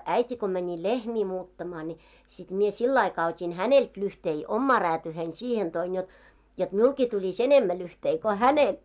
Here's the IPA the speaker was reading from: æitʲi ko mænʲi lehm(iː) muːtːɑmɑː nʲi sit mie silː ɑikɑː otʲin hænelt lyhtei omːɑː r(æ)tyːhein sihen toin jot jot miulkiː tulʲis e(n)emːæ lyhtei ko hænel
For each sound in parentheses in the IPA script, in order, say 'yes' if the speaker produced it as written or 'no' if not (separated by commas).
yes, no, yes